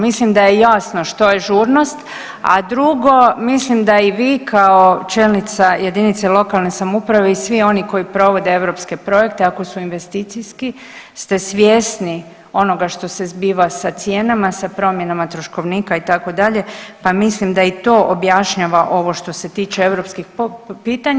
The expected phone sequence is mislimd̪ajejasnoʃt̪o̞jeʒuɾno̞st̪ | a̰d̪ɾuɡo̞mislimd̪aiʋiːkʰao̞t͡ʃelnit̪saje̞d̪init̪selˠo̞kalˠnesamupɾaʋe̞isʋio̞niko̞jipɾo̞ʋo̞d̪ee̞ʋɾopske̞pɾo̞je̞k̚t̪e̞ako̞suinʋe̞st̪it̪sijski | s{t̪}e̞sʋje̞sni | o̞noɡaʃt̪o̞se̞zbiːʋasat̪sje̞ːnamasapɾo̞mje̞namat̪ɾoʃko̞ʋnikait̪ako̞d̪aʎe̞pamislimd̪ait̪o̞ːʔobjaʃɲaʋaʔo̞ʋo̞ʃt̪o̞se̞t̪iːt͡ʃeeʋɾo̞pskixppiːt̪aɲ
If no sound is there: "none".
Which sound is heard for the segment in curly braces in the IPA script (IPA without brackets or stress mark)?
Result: t̪